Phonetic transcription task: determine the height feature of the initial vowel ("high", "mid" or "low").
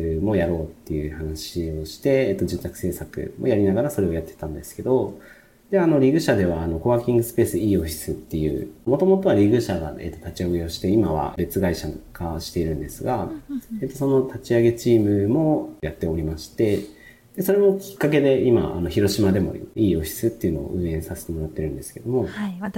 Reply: mid